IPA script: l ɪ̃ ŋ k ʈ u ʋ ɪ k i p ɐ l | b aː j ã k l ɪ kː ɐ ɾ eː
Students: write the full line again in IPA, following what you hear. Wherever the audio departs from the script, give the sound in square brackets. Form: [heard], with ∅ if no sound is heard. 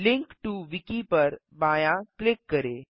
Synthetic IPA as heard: l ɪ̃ ŋ k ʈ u ʋ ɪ k i p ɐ [ɾ] | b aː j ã k l ɪ kː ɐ ɾ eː